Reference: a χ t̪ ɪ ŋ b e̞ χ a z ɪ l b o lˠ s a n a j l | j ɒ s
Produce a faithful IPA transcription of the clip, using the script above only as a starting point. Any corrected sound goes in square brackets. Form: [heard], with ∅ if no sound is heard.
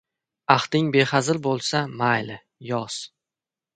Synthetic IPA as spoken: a χ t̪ ɪ ŋ b e̞ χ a z ɪ l b o lˠ s a [m] a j l | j ɒ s